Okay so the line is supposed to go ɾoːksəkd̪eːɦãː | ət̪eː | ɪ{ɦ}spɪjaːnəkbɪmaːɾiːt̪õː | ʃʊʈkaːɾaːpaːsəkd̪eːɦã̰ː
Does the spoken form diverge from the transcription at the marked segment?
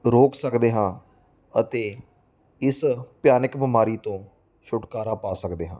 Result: yes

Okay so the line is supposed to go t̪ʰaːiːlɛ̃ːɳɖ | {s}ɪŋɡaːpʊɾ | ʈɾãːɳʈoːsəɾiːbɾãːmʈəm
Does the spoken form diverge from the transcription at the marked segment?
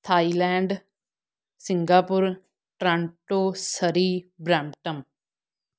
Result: no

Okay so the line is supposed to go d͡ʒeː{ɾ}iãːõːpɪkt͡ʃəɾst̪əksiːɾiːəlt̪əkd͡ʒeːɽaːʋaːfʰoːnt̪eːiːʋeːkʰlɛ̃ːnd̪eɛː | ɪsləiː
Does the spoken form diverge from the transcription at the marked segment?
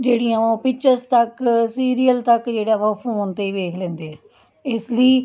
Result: yes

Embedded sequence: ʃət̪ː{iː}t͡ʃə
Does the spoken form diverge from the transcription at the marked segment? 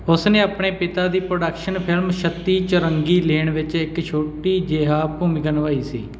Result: no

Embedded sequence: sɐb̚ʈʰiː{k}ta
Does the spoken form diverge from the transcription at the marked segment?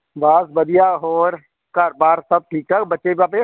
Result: no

